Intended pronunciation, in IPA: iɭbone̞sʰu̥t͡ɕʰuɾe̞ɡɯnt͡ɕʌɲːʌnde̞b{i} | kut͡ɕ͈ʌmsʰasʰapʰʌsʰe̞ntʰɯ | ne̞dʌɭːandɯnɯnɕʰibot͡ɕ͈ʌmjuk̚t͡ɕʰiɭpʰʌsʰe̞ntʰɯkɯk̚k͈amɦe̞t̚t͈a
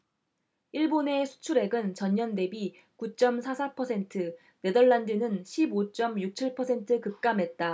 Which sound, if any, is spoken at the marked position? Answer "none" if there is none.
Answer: i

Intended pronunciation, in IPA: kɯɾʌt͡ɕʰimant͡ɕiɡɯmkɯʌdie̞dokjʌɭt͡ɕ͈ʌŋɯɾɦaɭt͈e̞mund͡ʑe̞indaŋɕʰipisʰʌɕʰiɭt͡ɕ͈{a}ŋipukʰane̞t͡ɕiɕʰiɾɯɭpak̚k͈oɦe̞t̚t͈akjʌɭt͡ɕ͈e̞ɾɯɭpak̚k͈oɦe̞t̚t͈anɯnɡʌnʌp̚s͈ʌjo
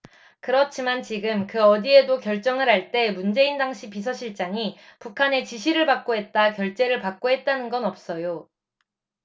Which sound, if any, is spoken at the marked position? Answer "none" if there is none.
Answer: a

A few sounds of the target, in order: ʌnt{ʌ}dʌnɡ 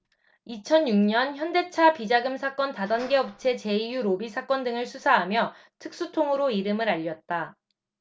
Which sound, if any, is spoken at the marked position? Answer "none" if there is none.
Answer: a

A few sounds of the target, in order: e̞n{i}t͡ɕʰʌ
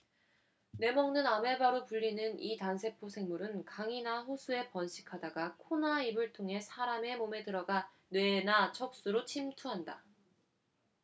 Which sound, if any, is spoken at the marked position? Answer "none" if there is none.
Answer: a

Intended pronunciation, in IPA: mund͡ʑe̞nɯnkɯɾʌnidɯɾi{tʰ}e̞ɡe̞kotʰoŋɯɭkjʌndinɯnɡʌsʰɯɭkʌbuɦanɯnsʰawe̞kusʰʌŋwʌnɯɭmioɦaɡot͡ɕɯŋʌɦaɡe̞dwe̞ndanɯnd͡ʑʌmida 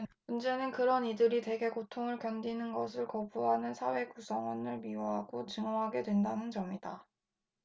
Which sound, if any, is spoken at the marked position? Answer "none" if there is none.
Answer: t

